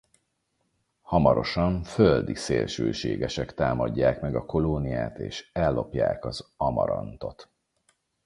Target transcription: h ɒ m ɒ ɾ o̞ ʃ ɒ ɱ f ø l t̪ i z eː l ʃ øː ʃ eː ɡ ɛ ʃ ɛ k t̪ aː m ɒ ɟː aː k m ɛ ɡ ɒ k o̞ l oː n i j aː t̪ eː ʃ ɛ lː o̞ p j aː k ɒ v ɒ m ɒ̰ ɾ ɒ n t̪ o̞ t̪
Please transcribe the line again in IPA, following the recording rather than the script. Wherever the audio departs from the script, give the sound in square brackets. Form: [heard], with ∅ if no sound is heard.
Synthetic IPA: h ɒ m ɒ ɾ o̞ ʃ ɒ ɱ f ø l [d̪] i [s] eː l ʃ øː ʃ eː ɡ ɛ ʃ ɛ k t̪ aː m ɒ ɟː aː k m ɛ ɡ ɒ k o̞ l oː n i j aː t̪ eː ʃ ɛ lː o̞ p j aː k ɒ [z] ɒ m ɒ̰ ɾ ɒ n t̪ o̞ t̪